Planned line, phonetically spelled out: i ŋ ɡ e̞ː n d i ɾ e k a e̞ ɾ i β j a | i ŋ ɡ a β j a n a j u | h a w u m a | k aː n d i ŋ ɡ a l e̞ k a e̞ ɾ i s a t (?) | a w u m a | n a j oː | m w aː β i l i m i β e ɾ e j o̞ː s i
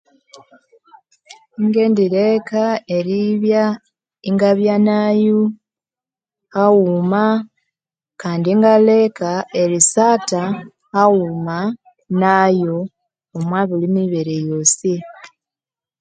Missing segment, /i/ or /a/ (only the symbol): a